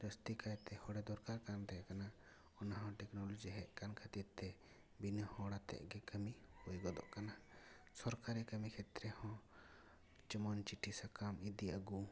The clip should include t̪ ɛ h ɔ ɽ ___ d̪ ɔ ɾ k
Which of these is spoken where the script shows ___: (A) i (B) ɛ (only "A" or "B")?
B